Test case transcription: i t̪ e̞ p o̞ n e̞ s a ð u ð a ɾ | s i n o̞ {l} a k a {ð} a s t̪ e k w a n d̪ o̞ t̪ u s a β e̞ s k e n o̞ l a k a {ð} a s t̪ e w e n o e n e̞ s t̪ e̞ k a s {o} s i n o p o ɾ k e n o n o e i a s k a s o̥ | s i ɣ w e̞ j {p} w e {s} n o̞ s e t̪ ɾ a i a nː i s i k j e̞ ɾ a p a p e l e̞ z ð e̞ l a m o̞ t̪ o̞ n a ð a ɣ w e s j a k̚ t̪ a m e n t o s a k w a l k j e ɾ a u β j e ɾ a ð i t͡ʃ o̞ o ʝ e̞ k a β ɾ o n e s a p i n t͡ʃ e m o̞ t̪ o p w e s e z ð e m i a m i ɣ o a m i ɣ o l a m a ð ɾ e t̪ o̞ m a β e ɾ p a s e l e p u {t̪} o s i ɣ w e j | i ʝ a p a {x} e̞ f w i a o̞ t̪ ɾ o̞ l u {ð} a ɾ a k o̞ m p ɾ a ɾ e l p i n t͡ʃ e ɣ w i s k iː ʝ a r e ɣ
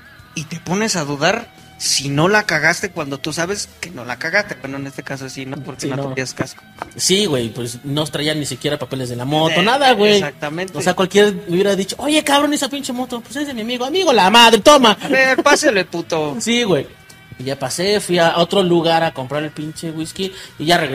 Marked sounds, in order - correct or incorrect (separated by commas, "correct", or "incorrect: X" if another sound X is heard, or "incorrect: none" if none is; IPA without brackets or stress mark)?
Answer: correct, incorrect: ɣ, incorrect: ɣ, correct, correct, correct, correct, incorrect: s, incorrect: ɣ